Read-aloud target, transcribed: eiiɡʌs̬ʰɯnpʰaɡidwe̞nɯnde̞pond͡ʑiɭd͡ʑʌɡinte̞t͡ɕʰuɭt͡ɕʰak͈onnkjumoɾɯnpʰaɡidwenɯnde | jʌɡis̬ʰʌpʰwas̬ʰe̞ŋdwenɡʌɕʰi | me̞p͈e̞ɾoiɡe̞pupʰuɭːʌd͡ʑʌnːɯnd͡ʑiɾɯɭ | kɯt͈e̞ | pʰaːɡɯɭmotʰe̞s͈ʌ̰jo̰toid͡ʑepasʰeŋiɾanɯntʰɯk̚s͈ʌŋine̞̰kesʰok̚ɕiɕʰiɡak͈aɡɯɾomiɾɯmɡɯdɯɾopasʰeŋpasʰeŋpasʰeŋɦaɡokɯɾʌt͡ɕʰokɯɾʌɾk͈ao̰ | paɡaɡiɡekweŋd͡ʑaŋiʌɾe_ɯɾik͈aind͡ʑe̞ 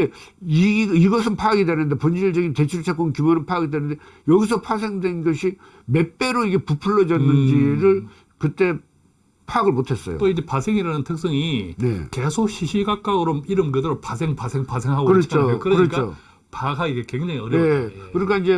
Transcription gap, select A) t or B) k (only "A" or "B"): B